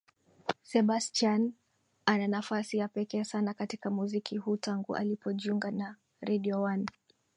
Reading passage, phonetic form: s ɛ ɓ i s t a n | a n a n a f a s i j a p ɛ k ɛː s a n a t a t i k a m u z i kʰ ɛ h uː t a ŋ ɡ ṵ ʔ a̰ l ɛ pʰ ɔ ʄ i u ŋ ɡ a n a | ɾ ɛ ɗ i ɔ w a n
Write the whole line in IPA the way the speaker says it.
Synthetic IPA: s ɛ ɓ a s t a n | a n a n a f a s i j a p ɛ k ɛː s a n a k a t i k a m u z i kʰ i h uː t a ŋ ɡ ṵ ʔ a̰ l i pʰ ɔ ʄ i u ŋ ɡ a n a | ɾ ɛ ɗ i ɔ w a n